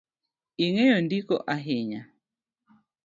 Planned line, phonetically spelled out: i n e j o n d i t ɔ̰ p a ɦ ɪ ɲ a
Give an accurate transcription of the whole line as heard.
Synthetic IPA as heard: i ŋ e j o n d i k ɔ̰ ʔ a ɦ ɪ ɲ a